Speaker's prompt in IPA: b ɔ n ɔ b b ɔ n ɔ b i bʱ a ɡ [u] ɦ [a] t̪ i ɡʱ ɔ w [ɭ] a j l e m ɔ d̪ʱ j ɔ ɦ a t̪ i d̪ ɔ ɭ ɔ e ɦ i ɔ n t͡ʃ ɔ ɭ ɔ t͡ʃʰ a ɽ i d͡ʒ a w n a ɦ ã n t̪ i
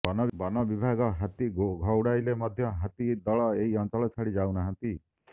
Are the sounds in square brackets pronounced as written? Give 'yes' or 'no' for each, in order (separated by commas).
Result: no, yes, no